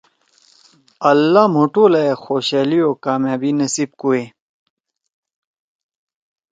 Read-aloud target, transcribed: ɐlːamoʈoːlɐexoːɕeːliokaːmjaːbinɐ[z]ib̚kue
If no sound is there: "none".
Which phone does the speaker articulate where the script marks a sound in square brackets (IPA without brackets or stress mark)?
s